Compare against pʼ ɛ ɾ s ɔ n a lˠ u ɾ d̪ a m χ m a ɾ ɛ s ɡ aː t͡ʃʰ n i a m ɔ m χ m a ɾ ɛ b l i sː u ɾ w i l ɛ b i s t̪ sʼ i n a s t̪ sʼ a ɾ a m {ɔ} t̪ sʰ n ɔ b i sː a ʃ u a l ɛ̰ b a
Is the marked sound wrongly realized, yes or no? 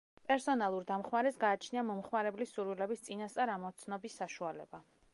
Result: no